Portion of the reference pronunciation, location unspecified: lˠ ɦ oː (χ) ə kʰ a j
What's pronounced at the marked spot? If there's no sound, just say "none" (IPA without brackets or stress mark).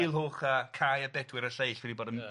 χ